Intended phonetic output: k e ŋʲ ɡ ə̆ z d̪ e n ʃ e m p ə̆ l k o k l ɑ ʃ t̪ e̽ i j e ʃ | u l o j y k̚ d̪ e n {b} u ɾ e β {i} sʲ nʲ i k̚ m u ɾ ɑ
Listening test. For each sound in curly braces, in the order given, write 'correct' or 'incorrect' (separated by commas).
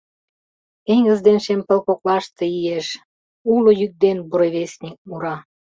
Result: correct, incorrect